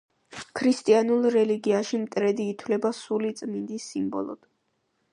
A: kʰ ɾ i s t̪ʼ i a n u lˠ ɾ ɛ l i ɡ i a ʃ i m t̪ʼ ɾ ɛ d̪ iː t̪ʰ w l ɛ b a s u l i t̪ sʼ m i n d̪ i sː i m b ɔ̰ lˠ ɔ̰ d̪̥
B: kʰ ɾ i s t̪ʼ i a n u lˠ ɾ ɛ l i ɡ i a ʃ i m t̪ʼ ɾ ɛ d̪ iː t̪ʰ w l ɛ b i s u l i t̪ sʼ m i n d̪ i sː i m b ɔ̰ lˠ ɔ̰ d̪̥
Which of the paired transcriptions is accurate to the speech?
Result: A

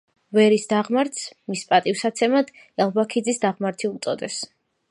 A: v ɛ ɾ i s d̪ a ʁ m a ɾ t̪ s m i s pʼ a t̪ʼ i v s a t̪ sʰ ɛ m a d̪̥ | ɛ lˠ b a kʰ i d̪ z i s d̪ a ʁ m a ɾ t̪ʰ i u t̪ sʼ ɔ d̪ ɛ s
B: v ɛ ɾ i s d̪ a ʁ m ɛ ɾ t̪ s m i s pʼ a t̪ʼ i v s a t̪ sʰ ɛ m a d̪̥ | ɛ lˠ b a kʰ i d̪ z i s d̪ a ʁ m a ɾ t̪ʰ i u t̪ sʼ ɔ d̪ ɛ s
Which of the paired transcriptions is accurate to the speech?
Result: A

